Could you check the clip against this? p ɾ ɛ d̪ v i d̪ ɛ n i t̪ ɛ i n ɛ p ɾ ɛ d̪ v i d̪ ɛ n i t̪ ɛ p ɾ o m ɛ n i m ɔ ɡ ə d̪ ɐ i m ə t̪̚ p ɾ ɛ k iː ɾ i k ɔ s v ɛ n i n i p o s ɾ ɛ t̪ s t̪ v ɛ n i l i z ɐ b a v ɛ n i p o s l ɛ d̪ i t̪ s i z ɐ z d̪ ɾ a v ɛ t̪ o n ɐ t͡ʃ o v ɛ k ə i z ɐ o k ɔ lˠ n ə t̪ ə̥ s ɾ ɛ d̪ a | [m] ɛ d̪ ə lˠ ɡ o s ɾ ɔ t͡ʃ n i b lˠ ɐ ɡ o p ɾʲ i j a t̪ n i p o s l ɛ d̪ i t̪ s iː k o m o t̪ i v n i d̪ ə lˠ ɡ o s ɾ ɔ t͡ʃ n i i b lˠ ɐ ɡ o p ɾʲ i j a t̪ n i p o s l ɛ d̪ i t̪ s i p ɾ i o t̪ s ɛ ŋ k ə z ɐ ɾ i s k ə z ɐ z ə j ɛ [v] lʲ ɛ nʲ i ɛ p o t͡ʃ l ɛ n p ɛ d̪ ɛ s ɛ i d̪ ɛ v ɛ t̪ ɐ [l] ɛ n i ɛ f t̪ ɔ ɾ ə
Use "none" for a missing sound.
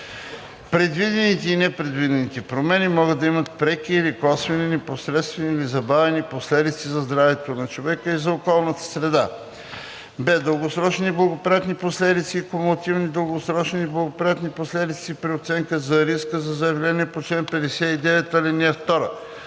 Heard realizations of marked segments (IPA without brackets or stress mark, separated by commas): b, v, l